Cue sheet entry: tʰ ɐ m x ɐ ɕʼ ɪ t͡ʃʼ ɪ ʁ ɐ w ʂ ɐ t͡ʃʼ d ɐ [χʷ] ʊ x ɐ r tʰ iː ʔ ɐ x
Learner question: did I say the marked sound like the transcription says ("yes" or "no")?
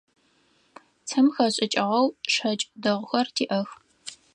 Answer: no